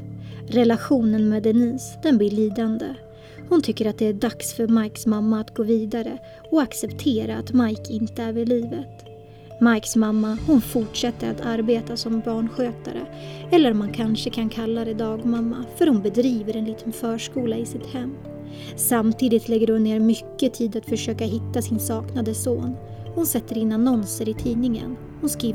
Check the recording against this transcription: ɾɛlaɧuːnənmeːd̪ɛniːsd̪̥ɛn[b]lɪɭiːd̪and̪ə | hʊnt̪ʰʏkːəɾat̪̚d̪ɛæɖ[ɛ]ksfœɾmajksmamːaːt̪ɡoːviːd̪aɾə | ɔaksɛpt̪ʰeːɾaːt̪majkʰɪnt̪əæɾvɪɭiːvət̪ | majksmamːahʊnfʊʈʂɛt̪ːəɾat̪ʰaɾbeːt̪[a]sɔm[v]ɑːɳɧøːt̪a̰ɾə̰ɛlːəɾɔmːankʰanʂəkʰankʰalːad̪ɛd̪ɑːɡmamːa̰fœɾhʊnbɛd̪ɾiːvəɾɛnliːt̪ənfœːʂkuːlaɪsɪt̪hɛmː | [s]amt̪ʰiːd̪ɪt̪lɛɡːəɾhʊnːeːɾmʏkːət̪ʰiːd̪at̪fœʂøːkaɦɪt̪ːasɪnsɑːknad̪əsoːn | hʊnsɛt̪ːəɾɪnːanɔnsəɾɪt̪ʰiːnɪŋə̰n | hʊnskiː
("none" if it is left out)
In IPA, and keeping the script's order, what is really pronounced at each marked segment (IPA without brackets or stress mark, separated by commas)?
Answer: b, a, a, b, s